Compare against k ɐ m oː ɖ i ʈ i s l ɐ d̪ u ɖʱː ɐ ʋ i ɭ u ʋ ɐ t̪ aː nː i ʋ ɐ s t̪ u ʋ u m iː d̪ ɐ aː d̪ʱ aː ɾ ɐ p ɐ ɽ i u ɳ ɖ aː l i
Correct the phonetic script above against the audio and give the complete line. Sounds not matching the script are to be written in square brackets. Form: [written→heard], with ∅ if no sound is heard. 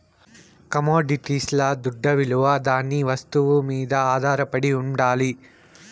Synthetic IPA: k ɐ m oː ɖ i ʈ i s l ɐ d̪ u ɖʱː ɐ ʋ i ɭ u ʋ ɐ [t̪→d̪] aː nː i ʋ ɐ s t̪ u ʋ u m iː d̪ ɐ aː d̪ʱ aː ɾ ɐ p ɐ ɽ i u ɳ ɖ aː l i